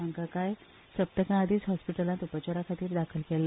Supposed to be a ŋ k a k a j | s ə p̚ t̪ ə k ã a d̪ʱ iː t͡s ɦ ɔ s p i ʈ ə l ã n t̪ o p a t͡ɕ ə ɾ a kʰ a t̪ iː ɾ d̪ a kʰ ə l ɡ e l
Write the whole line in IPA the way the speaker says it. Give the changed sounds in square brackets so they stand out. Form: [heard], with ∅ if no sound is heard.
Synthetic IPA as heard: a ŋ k a k a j | s ə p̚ t̪ ə k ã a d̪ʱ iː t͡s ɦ ɔ s p i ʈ ə l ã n t̪ [u] p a t͡ɕ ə ɾ a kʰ a t̪ iː ɾ d̪ a kʰ ə l [k] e l